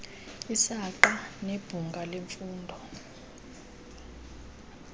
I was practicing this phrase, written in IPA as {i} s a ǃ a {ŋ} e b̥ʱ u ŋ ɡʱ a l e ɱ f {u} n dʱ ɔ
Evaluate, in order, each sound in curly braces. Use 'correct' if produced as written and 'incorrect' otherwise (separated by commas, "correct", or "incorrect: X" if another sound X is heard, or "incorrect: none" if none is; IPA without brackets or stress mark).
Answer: correct, incorrect: n, incorrect: uː